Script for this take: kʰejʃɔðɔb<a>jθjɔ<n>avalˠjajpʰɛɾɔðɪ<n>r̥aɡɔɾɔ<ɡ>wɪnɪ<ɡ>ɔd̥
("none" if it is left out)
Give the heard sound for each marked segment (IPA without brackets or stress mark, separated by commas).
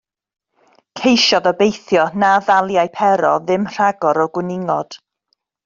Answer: e, n, m, ɡ, ŋ